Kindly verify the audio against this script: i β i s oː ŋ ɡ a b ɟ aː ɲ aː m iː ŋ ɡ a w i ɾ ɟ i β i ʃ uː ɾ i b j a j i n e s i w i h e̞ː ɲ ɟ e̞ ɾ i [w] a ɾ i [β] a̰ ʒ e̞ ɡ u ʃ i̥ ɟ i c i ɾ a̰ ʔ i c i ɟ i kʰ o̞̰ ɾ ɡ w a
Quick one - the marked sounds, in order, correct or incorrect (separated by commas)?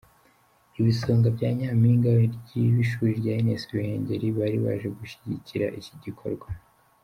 incorrect, correct